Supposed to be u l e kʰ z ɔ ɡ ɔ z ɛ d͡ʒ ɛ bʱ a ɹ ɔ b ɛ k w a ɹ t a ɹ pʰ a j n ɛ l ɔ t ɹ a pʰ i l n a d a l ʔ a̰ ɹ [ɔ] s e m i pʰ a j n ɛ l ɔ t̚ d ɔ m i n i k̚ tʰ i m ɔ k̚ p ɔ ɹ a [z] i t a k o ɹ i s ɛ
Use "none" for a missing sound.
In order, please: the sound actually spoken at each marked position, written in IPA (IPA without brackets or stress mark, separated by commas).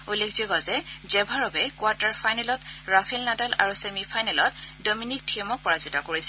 u, z